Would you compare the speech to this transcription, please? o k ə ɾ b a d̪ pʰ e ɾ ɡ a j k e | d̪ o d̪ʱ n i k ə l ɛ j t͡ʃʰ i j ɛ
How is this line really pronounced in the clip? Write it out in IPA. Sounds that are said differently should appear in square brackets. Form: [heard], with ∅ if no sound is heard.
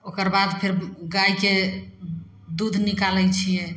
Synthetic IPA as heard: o k ə ɾ b a d̪ pʰ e ɾ ɡ a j k e | d̪ [u] d̪ʱ n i k [a] l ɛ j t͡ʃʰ i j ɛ